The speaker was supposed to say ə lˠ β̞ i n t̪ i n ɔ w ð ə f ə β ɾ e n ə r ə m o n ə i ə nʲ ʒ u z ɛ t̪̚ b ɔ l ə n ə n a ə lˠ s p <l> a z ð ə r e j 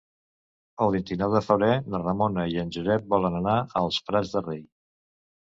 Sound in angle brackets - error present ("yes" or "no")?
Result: yes